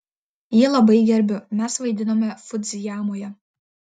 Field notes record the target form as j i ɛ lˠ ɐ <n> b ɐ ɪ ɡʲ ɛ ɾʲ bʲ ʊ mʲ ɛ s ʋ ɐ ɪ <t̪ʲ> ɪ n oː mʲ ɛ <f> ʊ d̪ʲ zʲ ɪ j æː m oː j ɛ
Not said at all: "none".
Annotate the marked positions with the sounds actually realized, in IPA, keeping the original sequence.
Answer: none, d̪ʲ, f

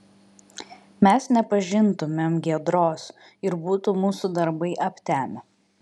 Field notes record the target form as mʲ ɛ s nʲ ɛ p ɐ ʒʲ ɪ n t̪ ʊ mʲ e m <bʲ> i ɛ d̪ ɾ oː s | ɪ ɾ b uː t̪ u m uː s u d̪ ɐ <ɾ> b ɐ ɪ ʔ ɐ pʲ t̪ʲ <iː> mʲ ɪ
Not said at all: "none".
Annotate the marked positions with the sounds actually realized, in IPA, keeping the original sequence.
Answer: ɡʲ, ɾ, æː

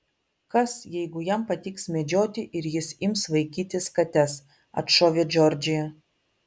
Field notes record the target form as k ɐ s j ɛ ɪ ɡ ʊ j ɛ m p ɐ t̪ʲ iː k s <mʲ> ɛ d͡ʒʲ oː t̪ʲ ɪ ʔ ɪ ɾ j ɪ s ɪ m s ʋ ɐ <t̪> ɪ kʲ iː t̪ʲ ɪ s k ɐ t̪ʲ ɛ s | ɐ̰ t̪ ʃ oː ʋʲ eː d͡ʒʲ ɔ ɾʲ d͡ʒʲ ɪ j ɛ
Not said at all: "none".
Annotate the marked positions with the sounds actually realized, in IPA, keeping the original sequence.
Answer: mʲ, none

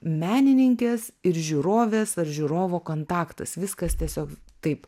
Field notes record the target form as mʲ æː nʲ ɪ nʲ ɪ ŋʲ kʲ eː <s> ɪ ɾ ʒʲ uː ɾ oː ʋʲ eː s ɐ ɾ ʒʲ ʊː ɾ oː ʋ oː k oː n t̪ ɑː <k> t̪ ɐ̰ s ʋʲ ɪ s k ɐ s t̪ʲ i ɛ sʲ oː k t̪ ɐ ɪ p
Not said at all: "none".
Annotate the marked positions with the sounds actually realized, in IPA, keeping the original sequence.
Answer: s, k

